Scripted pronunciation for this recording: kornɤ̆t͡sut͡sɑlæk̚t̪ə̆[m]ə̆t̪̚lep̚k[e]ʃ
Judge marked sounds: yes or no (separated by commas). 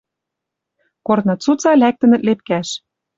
no, no